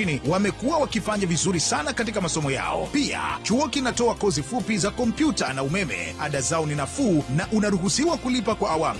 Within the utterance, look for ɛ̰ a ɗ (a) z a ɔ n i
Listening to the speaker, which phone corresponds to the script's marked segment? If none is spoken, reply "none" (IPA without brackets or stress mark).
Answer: a